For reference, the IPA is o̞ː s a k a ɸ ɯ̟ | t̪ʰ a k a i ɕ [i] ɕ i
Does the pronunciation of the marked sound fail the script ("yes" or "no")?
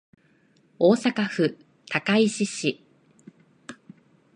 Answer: no